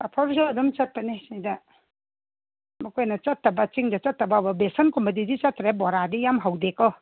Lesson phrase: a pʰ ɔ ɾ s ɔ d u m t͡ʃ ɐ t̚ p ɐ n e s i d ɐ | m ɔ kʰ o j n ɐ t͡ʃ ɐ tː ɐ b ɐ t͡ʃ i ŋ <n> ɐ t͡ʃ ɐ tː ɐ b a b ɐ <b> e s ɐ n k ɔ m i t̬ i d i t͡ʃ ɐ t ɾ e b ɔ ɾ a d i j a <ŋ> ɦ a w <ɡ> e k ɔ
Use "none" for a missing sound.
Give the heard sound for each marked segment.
d, b, m, d

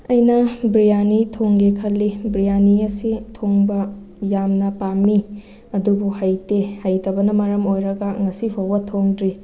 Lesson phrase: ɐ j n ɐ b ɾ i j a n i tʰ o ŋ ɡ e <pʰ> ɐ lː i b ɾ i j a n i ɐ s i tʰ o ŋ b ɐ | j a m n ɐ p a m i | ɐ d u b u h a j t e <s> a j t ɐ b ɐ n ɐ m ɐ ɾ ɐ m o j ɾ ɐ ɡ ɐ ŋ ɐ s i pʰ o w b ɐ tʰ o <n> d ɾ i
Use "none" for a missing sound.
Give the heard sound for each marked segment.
kʰ, h, ŋ

